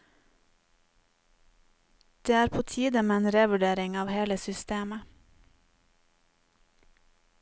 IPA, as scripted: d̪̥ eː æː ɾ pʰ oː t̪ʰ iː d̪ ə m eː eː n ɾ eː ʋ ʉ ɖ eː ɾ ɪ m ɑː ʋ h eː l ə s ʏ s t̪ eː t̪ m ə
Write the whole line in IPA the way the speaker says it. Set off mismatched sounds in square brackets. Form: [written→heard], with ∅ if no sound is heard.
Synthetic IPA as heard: d̪̥ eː æː ɾ pʰ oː t̪ʰ iː d̪ ə m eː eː n ɾ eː ʋ ʉ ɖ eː ɾ ɪ [m→ŋ] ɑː ʋ h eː l ə s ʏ s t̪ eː [t̪→∅] m ə